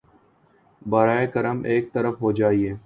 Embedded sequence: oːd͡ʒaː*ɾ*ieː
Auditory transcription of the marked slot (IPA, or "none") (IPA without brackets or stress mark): none